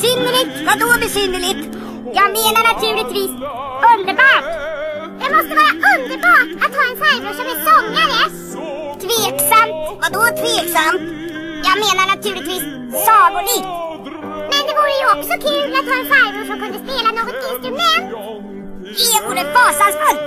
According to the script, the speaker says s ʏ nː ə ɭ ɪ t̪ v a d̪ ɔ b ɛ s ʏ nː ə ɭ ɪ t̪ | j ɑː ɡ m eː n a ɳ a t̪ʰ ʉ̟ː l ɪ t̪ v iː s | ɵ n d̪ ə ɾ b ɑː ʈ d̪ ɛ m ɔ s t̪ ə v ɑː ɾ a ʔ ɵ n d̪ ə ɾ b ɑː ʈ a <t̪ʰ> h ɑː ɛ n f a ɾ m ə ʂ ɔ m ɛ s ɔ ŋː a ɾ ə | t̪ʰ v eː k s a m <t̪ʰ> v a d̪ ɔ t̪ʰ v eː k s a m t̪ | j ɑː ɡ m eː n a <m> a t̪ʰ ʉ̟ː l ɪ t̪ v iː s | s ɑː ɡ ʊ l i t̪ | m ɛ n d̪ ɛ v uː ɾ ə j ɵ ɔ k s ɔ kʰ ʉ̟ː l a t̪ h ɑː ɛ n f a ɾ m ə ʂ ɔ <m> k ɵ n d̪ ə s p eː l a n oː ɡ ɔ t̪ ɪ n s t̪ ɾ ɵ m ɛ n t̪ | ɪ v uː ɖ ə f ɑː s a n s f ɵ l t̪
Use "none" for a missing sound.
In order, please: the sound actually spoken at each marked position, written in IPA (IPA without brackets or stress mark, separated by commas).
t̪, t̪, ɳ, m